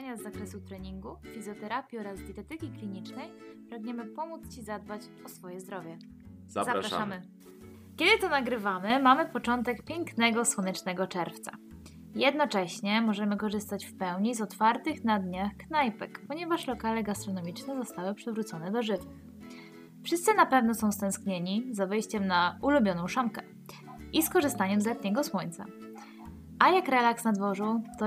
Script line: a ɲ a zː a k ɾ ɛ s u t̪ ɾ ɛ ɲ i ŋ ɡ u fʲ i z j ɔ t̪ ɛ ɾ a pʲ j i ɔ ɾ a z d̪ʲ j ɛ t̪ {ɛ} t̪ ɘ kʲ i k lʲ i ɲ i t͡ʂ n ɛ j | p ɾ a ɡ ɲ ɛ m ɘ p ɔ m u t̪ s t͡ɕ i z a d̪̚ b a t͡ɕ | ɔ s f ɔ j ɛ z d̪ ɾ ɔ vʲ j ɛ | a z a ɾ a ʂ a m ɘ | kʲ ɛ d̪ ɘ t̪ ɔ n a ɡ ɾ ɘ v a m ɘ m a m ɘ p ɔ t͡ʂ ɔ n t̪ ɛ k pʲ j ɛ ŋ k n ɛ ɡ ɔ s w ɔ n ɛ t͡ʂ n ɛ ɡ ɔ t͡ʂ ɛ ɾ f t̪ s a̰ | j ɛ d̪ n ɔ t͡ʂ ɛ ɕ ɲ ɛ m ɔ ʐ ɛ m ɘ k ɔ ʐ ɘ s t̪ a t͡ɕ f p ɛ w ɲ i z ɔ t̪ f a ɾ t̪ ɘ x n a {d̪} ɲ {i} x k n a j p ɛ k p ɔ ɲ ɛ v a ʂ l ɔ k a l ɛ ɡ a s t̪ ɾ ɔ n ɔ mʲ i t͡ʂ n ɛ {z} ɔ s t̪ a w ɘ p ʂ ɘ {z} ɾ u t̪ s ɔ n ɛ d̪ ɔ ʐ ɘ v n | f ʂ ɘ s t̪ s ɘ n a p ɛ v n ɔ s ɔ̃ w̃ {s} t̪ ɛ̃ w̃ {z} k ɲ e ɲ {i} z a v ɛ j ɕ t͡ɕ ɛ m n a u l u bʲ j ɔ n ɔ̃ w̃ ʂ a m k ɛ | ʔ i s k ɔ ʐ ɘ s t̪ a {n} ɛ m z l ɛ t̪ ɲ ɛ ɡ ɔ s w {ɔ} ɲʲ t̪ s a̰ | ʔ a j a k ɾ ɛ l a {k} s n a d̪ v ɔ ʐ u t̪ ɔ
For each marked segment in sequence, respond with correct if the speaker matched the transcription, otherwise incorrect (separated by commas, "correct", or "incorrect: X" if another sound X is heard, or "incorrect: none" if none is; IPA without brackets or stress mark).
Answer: correct, correct, incorrect: a, correct, incorrect: v, correct, incorrect: s, correct, incorrect: ɲ, correct, correct